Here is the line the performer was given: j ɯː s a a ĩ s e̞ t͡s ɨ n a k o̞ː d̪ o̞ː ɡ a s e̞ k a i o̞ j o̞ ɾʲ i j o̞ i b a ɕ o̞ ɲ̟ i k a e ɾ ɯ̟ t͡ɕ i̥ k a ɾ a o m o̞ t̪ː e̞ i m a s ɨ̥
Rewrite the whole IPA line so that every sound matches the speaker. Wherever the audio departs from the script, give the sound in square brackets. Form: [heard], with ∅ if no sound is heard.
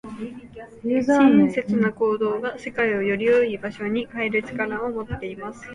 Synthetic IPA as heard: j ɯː [z] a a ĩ s e̞ t͡s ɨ n a k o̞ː d̪ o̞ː ɡ a s e̞ k a i o̞ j o̞ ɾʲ i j o̞ i b a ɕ o̞ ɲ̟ i k a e ɾ ɯ̟ t͡ɕ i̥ k a ɾ a o m o̞ t̪ː e̞ i m a s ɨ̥